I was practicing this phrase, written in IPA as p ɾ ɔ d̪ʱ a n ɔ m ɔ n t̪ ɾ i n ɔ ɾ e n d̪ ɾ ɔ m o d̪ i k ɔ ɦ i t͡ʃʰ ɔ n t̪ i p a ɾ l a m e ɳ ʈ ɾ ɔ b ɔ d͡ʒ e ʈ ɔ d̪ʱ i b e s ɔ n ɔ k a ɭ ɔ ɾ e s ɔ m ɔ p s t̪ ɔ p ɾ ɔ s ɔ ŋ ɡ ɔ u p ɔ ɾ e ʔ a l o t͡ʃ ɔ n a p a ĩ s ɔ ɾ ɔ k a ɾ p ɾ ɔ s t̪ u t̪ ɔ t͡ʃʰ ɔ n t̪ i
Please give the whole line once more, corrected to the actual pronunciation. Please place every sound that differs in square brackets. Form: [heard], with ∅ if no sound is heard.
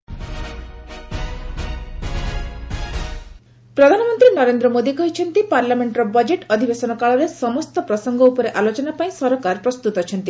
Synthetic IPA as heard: p ɾ ɔ d̪ʱ a n ɔ m ɔ n t̪ ɾ i n ɔ ɾ e n d̪ ɾ ɔ m o d̪ i k ɔ ɦ i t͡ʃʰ ɔ n t̪ i p a ɾ l a m e ɳ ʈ ɾ ɔ b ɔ d͡ʒ e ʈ ɔ d̪ʱ i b e s ɔ n ɔ k a ɭ ɔ ɾ e s ɔ m ɔ [∅] s t̪ ɔ p ɾ ɔ s ɔ ŋ ɡ ɔ u p ɔ ɾ e ʔ a l o t͡ʃ ɔ n a p a ĩ s ɔ ɾ ɔ k a ɾ p ɾ ɔ s t̪ u t̪ ɔ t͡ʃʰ ɔ n t̪ i